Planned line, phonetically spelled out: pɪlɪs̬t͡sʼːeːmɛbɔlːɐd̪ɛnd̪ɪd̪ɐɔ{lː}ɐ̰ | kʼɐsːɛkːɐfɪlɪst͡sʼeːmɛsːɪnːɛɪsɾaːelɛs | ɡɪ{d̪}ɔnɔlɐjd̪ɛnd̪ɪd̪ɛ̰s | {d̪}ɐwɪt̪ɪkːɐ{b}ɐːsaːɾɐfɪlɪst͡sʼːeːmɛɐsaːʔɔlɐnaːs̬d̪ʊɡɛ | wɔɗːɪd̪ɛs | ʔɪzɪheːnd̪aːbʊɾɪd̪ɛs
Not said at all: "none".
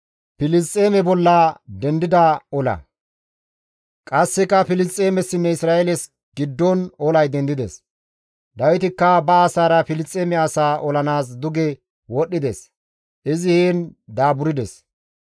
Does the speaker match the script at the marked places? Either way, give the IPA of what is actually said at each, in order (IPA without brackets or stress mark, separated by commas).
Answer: l, d̪ː, d̪, b